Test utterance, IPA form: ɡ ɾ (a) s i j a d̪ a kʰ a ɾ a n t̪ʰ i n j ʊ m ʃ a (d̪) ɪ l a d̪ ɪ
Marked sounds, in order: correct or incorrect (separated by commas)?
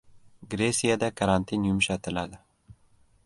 incorrect, incorrect